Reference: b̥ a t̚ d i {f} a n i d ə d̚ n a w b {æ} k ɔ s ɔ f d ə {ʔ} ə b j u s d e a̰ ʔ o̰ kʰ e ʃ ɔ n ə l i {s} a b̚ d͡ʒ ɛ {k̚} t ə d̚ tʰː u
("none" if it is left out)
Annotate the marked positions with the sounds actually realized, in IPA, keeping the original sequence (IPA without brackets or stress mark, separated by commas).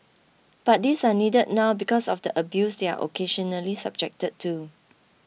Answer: s, i, ʔ, s, k̚